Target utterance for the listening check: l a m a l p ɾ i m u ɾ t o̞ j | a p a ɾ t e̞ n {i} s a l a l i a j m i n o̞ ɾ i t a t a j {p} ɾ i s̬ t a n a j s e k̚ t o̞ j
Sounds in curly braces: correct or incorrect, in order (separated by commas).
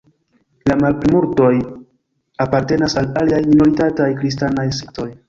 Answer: incorrect, incorrect